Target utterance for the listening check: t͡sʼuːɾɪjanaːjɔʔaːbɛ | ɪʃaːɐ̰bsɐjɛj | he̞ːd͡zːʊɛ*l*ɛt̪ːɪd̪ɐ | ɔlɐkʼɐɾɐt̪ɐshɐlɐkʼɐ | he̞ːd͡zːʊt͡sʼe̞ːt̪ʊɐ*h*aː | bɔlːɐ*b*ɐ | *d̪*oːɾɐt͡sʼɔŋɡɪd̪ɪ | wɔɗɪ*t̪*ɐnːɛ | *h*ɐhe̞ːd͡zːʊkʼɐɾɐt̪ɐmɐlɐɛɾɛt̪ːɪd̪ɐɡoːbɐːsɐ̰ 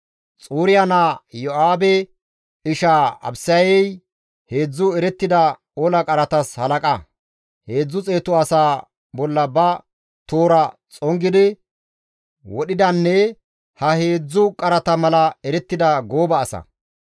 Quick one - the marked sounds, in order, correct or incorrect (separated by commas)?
incorrect, incorrect, correct, incorrect, incorrect, correct